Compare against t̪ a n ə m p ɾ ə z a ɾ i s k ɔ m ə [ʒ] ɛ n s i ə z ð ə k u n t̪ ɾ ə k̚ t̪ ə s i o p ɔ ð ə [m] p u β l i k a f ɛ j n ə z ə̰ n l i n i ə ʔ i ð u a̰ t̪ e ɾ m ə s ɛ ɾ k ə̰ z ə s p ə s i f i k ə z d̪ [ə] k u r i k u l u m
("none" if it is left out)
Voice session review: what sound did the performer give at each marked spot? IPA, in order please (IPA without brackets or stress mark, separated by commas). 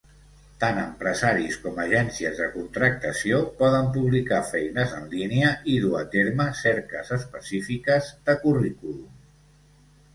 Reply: ʒ, m, ə